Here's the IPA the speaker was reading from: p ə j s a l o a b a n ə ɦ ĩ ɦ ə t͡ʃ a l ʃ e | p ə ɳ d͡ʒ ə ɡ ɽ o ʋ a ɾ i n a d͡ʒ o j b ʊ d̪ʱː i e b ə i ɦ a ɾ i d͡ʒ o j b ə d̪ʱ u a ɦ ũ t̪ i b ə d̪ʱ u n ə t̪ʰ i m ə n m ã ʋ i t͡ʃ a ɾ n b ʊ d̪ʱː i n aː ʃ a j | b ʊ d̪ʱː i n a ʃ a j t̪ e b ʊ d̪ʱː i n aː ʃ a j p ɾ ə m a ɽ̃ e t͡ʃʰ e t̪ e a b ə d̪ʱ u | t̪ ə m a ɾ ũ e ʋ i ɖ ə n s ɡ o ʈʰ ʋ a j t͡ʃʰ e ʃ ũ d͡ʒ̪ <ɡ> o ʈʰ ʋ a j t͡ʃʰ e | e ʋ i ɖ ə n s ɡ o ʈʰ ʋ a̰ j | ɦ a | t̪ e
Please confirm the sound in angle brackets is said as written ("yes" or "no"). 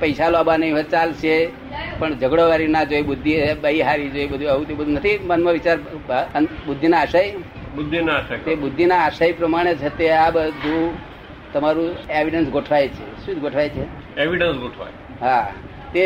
yes